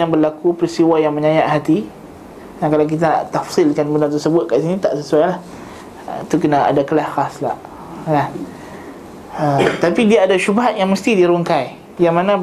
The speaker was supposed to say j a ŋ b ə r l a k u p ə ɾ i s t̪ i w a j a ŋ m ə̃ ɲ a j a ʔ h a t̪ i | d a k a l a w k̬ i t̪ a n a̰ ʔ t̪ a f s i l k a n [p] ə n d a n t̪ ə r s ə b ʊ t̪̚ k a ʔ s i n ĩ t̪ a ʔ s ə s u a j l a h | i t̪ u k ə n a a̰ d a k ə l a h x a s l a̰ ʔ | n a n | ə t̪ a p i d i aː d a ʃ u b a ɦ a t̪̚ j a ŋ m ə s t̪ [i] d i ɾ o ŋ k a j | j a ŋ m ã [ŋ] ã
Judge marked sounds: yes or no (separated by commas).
no, yes, no